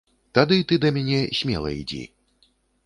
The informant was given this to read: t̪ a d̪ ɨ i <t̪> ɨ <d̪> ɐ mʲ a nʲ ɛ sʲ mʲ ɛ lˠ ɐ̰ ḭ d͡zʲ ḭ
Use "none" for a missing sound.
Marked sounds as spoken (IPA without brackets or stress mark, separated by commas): t̪, d̪